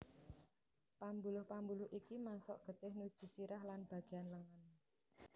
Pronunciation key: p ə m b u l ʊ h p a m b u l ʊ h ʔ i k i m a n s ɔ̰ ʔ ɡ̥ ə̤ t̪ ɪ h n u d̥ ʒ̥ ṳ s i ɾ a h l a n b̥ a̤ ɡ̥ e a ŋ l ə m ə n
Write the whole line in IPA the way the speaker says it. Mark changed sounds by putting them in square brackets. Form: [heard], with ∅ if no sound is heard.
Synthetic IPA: p [a] m b u l ʊ h p a m b u l ʊ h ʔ i k i m a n s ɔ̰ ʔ ɡ̥ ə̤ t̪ ɪ h n u d̥ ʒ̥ ṳ s i ɾ a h l a n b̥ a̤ ɡ̥ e a [n] l ə [ŋ] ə n